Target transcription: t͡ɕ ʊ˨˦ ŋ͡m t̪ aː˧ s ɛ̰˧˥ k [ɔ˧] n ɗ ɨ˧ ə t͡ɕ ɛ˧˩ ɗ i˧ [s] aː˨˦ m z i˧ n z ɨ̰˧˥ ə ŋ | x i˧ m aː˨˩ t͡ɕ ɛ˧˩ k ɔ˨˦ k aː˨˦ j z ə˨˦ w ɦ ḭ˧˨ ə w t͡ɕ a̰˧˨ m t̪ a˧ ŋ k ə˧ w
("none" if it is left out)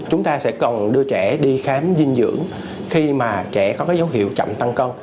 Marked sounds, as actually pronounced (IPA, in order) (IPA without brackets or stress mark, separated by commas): ɔ˨˩, x